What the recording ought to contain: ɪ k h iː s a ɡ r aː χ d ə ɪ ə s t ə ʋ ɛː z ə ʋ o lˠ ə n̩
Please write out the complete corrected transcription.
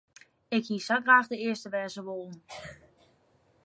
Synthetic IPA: ɪ k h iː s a ɡ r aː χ d ə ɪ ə s t ə ʋ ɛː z ə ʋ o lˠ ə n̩